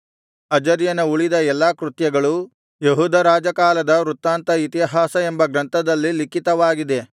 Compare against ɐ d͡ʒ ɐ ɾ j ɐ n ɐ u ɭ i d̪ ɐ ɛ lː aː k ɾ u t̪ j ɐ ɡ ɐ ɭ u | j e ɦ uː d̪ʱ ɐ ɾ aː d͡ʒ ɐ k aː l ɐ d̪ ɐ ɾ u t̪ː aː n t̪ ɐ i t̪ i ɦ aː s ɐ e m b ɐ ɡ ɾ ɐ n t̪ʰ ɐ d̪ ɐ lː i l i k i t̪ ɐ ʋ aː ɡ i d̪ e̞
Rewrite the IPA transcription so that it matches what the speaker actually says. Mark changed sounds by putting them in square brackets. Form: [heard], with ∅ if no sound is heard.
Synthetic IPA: ɐ d͡ʒ ɐ ɾ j ɐ n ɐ u ɭ i d̪ ɐ ɛ lː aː k ɾ u t̪ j ɐ ɡ ɐ ɭ u | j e ɦ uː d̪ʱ ɐ ɾ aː d͡ʒ ɐ k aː l ɐ d̪ ɐ ɾ u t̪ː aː n t̪ ɐ i t̪ i ɦ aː s ɐ e m b ɐ ɡ ɾ ɐ n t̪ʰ ɐ d̪ ɐ lː i l i k i t̪ ɐ ʋ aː ɡ i d̪ e̞